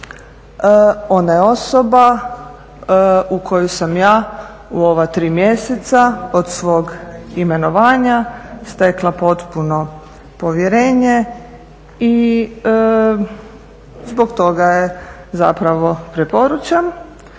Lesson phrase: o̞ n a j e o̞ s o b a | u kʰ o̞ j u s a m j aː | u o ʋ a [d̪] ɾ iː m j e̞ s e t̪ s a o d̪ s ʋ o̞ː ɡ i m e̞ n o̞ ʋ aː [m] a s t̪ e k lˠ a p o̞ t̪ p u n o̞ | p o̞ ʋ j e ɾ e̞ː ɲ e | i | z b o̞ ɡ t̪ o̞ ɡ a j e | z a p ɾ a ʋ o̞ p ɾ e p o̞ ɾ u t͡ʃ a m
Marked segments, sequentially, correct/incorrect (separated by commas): incorrect, incorrect